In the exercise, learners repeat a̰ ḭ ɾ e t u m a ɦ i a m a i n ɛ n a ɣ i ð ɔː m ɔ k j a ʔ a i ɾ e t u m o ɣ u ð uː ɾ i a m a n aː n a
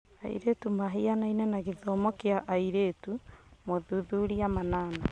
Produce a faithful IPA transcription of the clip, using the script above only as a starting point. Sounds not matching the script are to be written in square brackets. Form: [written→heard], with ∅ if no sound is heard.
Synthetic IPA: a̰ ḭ ɾ e t u m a ɦ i a [m→n] a i n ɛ n a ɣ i ð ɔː m ɔ k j a ʔ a i ɾ e t u m o [ɣ→ð] u ð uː ɾ i a m a n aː n a